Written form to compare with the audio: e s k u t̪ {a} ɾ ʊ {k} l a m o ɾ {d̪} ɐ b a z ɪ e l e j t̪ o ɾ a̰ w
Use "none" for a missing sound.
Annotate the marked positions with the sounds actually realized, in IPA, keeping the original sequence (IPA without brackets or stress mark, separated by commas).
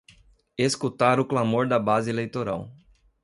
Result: a, k, d̪